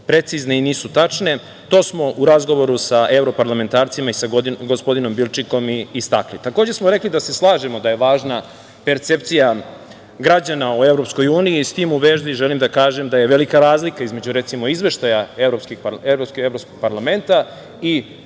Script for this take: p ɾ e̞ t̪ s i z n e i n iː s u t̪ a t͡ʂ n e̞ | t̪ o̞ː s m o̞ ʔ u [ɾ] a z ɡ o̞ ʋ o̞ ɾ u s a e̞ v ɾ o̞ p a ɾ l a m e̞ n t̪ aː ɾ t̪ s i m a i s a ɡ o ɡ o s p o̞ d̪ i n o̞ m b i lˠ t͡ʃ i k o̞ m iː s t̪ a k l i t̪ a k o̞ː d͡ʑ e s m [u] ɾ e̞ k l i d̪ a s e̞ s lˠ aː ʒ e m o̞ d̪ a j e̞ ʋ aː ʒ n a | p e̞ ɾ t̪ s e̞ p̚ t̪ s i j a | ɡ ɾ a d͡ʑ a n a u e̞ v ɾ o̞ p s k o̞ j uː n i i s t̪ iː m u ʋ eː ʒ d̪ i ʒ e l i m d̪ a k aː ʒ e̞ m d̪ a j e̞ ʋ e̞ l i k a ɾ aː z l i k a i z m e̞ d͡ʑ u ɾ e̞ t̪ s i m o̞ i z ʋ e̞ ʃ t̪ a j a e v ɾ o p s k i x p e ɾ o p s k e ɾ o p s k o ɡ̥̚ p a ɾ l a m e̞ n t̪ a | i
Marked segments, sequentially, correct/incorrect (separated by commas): correct, incorrect